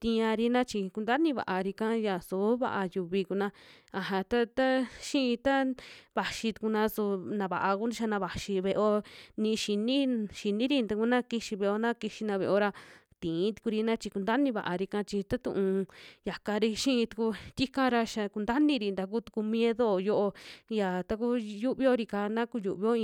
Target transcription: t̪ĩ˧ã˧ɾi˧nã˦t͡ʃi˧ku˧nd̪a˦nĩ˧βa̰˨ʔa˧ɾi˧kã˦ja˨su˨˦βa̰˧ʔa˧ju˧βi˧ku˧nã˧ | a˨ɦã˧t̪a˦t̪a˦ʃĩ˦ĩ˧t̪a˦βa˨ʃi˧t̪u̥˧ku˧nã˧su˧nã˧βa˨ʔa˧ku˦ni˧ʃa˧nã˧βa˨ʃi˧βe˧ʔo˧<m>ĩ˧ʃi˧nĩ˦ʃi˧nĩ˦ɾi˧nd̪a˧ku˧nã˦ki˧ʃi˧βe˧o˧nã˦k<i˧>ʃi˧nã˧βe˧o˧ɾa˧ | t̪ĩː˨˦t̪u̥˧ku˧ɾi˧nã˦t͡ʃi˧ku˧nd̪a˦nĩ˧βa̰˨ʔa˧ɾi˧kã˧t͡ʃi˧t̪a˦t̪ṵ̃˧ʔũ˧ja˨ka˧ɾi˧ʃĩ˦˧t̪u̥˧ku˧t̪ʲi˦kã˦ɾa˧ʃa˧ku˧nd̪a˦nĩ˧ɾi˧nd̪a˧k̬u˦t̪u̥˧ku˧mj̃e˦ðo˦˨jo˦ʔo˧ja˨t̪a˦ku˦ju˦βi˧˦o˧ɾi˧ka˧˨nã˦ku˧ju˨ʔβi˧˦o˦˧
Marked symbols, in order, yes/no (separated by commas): no, yes